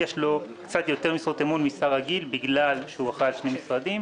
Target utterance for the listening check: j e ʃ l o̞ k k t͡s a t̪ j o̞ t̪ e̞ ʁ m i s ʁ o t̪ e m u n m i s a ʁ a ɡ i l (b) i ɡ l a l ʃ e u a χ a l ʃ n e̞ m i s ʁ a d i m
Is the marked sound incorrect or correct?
correct